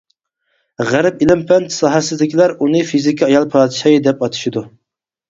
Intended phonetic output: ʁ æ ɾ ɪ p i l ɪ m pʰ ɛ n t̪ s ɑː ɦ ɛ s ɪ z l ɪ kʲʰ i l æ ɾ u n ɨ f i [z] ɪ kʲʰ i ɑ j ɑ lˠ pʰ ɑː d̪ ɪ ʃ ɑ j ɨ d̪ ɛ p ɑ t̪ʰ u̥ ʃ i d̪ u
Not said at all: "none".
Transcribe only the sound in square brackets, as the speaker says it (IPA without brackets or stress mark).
z